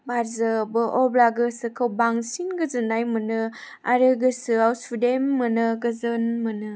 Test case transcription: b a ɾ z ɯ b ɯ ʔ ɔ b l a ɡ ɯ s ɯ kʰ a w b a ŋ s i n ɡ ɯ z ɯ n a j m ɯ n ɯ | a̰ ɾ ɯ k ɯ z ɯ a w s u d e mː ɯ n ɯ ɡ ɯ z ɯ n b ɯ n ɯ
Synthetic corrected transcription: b a ɾ z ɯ b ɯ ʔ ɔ b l a ɡ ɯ s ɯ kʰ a w b a ŋ s i n ɡ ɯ z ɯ n a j m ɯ n ɯ | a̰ ɾ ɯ ɡ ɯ s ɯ a w s u d e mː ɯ n ɯ ɡ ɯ z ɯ n m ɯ n ɯ